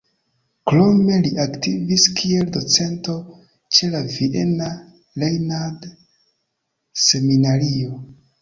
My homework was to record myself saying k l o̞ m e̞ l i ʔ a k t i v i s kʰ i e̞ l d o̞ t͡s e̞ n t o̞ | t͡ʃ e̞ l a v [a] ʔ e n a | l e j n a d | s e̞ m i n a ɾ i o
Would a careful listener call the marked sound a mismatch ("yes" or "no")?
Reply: yes